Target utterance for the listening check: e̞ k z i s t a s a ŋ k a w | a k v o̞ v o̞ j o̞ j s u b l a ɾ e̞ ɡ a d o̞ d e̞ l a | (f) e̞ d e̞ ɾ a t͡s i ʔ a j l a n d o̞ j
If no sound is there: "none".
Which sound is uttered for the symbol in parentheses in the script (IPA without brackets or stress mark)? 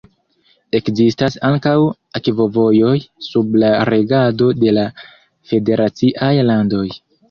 f